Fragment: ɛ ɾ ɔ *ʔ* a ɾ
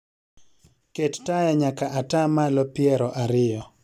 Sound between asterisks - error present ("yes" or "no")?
no